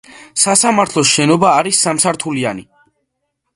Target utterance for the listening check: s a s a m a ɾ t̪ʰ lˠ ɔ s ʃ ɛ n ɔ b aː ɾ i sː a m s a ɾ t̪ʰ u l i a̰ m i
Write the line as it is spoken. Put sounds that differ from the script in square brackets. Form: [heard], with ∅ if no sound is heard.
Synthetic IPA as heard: s a s a m a ɾ t̪ʰ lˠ ɔ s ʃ ɛ n ɔ b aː ɾ i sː a m s a ɾ t̪ʰ u l i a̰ [n] i